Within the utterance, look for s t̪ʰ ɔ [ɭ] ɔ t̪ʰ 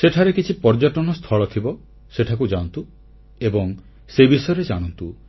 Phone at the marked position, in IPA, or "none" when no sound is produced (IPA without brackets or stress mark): ɭ